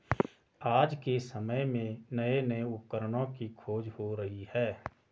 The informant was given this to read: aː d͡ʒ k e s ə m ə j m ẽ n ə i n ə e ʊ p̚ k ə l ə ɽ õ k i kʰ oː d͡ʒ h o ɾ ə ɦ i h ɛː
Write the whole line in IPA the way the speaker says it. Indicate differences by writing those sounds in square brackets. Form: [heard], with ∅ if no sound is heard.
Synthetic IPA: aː d͡ʒ k e s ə m ə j m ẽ n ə [e] n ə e ʊ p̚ k ə [ɾ] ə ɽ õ k i kʰ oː d͡ʒ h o ɾ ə ɦ i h ɛː